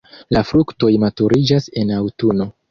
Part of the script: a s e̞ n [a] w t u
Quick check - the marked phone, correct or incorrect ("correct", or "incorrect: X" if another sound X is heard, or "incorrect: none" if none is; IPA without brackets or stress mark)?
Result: correct